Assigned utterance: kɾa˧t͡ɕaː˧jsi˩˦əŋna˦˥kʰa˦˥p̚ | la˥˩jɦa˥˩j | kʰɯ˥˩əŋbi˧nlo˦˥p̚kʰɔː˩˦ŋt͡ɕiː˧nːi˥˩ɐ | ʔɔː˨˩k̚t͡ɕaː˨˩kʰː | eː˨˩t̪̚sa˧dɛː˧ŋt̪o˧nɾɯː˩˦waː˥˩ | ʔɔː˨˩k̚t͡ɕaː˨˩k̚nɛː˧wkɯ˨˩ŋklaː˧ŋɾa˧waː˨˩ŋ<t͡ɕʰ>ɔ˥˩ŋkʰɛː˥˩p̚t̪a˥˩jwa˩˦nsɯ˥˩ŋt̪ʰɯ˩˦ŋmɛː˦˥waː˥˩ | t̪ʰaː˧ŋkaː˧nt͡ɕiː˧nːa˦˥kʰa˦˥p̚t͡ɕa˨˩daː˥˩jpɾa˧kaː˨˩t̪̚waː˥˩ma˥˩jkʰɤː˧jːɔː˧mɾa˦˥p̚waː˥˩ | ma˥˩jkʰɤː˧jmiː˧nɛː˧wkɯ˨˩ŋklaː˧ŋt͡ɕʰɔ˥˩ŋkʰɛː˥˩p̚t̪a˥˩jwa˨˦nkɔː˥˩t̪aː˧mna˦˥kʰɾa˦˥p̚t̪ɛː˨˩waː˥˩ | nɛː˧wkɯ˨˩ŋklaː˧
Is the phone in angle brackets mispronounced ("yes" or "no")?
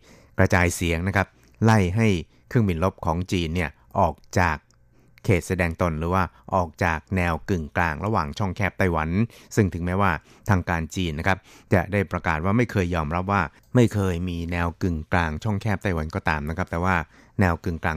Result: no